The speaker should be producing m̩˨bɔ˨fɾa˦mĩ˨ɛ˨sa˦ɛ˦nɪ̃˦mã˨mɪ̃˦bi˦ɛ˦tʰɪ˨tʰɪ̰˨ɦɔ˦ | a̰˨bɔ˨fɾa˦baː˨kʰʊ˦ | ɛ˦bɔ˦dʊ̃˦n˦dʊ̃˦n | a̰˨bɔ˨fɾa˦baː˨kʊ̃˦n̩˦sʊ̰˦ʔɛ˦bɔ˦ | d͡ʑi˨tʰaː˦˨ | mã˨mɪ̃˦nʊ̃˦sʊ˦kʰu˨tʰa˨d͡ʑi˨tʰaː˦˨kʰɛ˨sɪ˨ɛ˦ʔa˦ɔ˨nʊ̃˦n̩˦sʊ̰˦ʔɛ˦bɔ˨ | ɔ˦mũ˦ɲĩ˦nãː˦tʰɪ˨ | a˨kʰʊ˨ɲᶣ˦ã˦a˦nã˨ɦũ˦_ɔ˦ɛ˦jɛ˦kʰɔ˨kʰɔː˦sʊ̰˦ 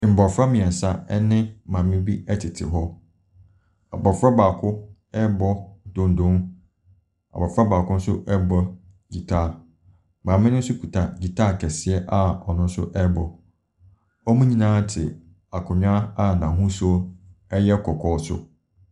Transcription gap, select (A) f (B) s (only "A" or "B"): B